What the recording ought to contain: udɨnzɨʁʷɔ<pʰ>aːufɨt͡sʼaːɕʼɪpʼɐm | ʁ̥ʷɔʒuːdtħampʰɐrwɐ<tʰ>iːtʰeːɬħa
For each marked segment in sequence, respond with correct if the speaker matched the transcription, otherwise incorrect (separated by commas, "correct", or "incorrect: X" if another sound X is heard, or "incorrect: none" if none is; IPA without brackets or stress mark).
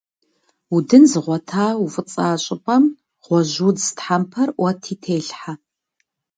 incorrect: tʰ, correct